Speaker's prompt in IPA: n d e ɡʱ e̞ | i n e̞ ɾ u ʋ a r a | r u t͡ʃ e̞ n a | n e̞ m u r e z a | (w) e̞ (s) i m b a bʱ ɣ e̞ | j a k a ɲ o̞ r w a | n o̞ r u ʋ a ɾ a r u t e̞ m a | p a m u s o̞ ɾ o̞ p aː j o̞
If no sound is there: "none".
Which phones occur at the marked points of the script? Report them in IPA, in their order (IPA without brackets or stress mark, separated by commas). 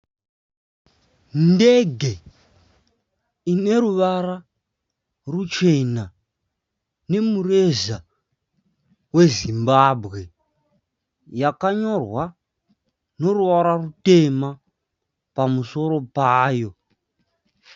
w, z